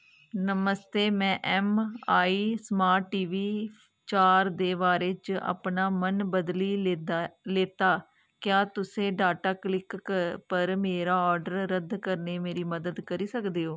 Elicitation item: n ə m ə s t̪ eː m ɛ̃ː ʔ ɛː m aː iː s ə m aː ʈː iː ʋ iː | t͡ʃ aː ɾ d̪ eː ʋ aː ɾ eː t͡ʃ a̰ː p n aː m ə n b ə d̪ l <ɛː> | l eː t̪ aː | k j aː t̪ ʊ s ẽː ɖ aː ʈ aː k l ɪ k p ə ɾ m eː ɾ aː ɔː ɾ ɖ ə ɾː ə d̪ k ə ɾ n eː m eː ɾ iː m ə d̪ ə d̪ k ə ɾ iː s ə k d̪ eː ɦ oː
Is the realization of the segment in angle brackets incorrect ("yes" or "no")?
yes